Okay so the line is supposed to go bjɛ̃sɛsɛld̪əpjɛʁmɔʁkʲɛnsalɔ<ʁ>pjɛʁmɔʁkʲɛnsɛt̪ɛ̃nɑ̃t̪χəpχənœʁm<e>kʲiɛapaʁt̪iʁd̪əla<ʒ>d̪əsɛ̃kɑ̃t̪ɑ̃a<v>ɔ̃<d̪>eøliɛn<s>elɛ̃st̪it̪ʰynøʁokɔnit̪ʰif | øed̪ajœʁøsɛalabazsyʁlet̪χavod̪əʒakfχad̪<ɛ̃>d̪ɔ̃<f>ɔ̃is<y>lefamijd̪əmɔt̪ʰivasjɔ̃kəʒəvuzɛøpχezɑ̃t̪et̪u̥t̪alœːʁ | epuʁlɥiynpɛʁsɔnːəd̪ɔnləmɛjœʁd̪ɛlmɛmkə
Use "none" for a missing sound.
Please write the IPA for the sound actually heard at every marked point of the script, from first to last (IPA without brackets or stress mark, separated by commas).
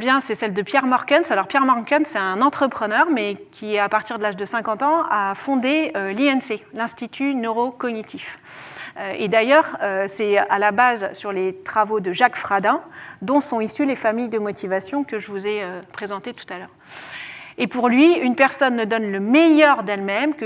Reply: ʁ, ɛ, ʒ, f, d̪, s, ɛ̃, s, y